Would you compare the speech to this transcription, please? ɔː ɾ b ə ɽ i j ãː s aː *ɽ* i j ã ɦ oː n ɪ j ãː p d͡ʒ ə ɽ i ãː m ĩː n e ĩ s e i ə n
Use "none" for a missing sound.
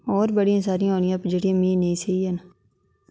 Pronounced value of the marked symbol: ɾ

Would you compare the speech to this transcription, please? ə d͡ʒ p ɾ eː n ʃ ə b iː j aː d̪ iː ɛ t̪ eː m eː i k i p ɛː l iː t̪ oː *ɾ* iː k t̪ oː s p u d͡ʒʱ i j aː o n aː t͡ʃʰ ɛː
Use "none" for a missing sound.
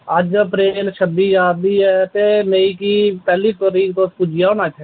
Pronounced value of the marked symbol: ɾ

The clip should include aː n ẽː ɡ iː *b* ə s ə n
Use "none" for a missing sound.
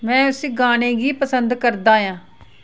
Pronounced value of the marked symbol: p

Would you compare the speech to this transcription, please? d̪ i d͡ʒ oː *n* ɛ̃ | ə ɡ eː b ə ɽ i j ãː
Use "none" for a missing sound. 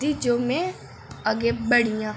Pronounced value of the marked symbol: m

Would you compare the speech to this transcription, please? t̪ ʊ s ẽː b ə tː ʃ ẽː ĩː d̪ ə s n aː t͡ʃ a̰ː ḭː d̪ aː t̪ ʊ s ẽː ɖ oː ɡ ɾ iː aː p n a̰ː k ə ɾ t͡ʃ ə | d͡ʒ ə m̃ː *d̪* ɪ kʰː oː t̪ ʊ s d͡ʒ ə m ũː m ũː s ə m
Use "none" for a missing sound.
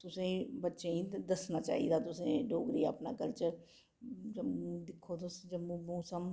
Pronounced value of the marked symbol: d̪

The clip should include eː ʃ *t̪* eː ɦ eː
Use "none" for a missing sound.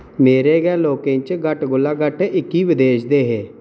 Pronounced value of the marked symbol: d̪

